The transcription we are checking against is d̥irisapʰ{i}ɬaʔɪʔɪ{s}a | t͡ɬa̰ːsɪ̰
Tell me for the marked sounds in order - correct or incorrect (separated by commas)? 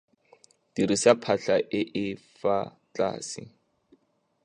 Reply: incorrect, incorrect